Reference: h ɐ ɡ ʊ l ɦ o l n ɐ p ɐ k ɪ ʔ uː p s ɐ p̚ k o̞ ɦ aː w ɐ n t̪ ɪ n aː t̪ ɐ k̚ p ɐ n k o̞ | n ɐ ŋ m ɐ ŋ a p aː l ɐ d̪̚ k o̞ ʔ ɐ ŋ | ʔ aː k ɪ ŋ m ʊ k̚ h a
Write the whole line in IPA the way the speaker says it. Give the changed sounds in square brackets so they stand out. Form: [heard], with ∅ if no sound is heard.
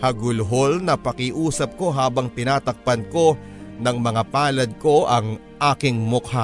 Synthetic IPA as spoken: h ɐ ɡ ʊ l ɦ o l n ɐ p ɐ k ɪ ʔ uː [∅] s ɐ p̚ k o̞ ɦ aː [b] ɐ [ŋ] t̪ ɪ n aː t̪ ɐ k̚ p ɐ n k o̞ | n ɐ ŋ m ɐ ŋ a p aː l ɐ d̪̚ k o̞ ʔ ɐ ŋ | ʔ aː k ɪ ŋ m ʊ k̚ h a